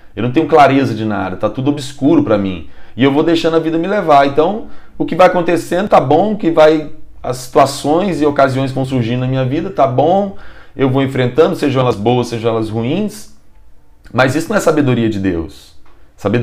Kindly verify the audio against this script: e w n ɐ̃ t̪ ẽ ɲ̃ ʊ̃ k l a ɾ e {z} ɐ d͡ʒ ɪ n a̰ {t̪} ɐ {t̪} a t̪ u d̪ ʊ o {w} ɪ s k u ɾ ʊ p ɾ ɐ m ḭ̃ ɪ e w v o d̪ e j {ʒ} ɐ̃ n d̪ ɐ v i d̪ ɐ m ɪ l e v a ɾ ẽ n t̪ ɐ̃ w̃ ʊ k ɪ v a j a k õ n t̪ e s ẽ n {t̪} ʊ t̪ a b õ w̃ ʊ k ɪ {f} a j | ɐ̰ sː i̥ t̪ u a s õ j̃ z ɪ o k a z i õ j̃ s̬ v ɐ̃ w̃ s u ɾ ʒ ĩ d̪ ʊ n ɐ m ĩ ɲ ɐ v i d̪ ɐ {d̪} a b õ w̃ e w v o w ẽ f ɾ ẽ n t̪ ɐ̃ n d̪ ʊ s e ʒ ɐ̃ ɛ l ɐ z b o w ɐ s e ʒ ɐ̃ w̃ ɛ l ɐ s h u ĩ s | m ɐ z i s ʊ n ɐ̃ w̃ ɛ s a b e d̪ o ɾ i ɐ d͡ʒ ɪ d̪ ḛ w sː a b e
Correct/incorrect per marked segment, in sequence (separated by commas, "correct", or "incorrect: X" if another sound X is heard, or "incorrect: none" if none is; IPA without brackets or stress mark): correct, incorrect: d̪, correct, incorrect: b, incorrect: ʃ, incorrect: d̪, incorrect: v, incorrect: t̪